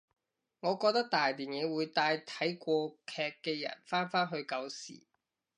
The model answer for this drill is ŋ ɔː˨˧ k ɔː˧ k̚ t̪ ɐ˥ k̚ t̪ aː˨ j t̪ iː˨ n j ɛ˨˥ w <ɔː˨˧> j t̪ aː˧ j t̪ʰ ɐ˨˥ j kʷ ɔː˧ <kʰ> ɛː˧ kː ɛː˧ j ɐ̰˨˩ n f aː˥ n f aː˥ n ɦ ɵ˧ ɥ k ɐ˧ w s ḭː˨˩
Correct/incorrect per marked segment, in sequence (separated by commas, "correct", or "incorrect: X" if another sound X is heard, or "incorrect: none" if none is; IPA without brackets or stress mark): incorrect: uː˨˧, correct